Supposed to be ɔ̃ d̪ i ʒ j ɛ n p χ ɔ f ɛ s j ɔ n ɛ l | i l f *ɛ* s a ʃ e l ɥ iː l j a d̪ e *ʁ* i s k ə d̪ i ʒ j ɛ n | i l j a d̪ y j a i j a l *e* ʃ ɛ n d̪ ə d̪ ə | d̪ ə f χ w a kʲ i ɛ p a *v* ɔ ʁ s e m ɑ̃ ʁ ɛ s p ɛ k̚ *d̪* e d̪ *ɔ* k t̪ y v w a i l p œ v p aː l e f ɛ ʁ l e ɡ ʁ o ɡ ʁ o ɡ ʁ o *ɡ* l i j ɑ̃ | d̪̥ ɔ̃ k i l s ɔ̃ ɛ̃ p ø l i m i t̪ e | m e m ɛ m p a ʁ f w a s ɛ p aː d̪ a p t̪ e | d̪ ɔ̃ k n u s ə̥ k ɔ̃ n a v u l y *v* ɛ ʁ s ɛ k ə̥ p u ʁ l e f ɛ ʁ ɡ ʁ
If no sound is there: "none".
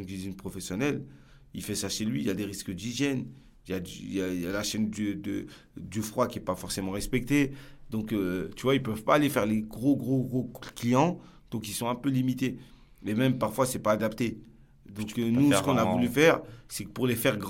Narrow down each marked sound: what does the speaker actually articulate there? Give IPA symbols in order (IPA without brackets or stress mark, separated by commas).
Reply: ɛ, ʁ, a, f, t̪, ɔ̃, k, f